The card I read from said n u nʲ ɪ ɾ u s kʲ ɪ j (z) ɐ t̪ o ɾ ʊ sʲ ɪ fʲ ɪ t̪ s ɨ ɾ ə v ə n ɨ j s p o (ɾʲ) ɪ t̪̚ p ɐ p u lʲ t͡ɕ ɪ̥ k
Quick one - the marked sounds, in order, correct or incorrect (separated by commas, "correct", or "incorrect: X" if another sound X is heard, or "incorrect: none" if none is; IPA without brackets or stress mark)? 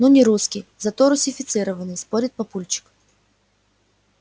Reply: correct, correct